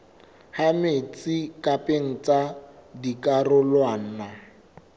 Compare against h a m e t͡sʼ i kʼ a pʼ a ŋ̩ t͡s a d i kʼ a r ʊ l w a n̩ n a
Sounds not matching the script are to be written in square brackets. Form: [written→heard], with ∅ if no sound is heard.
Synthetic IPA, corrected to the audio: h a m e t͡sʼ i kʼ a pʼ [a→e] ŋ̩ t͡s a d i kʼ a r ʊ l w a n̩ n a